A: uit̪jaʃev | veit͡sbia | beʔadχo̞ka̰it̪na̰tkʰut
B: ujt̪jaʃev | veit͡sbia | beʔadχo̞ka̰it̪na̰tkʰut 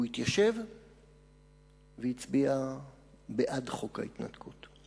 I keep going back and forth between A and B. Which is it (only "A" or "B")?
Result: A